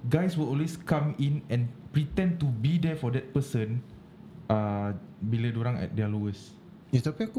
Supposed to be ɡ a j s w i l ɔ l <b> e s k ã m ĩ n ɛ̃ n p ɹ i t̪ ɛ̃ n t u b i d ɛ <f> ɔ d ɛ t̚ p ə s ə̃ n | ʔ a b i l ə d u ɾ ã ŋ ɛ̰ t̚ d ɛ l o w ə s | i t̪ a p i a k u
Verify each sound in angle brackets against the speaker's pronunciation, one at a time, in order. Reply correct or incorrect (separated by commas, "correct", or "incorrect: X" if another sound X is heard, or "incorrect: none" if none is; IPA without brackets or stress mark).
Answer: incorrect: w, correct